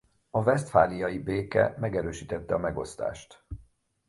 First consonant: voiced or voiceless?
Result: voiced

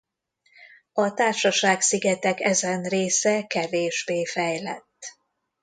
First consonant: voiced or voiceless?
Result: voiceless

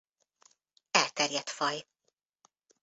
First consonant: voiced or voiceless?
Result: voiced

